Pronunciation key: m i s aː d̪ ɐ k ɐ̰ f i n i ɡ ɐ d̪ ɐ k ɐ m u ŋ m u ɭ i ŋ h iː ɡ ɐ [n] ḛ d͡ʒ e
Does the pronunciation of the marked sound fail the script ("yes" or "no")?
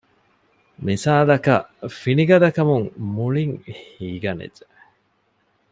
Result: no